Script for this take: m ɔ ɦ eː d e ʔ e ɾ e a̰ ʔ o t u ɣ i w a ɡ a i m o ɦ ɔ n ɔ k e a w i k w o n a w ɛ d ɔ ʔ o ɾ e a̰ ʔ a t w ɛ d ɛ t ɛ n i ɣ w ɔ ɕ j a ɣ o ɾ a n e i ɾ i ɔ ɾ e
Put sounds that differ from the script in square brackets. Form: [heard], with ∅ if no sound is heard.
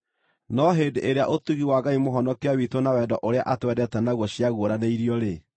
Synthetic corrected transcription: [n] ɔ ɦ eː d e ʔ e ɾ e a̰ ʔ o t u ɣ i w a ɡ a i m o ɦ ɔ n ɔ k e a w i [t] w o n a w ɛ d ɔ ʔ o ɾ e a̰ ʔ a t w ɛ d ɛ t ɛ n [a] ɣ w ɔ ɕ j a ɣ o ɾ a n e i ɾ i ɔ ɾ e